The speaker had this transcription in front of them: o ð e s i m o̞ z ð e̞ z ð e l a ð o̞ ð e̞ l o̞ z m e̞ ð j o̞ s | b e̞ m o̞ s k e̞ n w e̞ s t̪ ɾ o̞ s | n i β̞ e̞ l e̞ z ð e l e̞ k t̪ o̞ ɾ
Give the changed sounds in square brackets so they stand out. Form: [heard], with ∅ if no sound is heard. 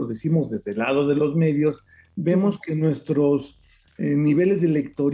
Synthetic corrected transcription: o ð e s i m o̞ z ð e̞ z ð e l a ð o̞ ð e̞ l o̞ z m e̞ ð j o̞ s | b e̞ m o̞ s k e̞ n w e̞ s t̪ ɾ o̞ s | n i β̞ e̞ l e̞ z ð e l e̞ k t̪ o̞ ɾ